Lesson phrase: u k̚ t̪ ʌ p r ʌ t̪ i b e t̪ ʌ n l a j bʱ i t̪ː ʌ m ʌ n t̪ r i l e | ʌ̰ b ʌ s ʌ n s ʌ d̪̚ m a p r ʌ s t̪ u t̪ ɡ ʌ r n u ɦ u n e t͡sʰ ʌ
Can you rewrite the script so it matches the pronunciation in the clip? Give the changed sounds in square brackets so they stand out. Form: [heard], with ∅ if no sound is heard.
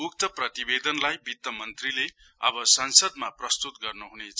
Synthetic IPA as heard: u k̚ t̪ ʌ p r ʌ t̪ i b e [d̪] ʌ n l a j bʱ i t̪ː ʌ m ʌ n t̪ r i l e | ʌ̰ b ʌ s ʌ n s ʌ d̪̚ m a p r ʌ s t̪ u t̪ ɡ ʌ r n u ɦ u n e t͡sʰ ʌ